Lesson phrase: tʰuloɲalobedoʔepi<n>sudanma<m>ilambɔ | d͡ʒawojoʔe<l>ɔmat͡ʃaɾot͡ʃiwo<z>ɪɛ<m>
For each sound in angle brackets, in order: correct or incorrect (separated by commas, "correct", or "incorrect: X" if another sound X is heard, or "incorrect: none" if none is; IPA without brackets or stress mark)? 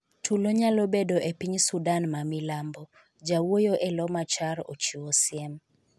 incorrect: ɲ, correct, correct, incorrect: s, correct